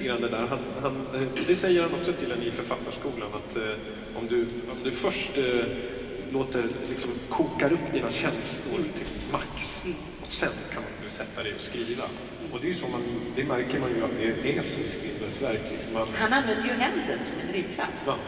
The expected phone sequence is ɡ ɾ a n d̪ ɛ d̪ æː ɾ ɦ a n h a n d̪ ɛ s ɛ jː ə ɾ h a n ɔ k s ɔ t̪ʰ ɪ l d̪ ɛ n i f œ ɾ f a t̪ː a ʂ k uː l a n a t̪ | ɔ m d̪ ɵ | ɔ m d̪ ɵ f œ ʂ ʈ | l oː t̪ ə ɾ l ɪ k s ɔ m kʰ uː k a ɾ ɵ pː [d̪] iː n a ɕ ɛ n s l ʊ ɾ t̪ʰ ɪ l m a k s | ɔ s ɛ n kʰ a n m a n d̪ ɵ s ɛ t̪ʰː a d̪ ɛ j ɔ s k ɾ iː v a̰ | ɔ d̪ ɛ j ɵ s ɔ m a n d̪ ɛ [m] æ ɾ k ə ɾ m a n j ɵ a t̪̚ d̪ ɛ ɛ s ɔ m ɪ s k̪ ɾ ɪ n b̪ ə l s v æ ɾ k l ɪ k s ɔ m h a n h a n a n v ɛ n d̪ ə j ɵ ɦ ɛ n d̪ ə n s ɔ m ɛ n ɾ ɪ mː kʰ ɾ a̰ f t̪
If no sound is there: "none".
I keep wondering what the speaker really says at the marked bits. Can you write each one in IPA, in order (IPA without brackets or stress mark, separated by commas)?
d̪, m